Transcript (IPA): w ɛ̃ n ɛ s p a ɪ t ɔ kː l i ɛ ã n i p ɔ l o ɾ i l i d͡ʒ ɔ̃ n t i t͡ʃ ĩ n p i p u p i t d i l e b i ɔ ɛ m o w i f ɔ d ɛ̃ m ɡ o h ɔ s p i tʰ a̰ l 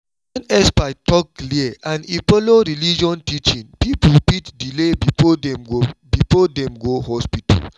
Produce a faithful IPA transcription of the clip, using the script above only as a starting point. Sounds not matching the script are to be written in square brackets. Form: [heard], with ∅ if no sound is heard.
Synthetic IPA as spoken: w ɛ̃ n ɛ s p a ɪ t ɔ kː l i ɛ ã n i p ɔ l o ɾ i l i d͡ʒ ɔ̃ n t i t͡ʃ ĩ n p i p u p i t d i l e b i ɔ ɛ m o [b] i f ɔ d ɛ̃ m ɡ o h ɔ s p i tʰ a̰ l